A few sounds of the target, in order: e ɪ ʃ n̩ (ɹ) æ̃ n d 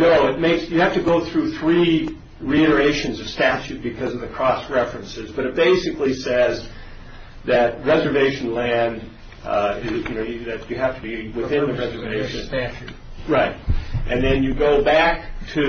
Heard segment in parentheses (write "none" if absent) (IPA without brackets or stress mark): l